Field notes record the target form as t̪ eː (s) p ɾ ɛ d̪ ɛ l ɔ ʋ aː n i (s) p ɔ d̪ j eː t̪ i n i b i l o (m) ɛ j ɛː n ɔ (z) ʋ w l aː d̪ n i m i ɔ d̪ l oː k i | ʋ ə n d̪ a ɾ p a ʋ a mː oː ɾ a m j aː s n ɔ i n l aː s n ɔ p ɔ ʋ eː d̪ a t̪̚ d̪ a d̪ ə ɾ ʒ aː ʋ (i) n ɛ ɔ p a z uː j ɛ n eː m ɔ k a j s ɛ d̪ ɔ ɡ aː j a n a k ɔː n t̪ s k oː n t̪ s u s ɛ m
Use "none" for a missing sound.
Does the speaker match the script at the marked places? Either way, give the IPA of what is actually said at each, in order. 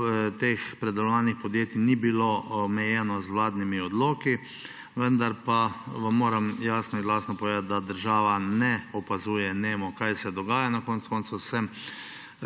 x, x, m, z, a

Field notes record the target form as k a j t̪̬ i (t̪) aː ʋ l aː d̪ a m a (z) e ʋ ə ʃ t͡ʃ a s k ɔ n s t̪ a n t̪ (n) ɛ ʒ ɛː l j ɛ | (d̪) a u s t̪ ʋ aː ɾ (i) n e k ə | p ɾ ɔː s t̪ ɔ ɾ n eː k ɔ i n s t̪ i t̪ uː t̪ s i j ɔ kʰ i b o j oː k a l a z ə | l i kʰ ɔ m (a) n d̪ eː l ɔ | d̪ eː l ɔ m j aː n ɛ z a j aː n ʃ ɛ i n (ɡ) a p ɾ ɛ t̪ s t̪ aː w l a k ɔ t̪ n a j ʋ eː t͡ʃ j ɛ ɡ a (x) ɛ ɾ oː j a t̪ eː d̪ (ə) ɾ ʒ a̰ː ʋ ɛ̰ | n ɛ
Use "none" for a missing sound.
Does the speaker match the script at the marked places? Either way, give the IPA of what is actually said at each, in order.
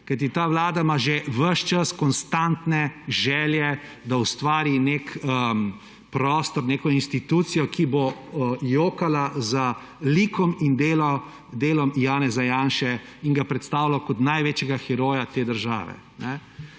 t̪, ʒ, n, d̪, i, i, ɡ, x, ə

